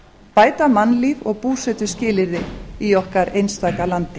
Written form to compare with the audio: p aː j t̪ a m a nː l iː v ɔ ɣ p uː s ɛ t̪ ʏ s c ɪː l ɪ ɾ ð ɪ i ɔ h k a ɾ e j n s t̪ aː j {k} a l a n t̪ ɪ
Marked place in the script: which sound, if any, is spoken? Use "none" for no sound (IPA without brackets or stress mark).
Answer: k